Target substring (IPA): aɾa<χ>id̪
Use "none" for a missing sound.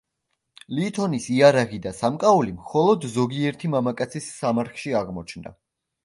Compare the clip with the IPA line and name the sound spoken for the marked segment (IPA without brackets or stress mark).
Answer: ʁ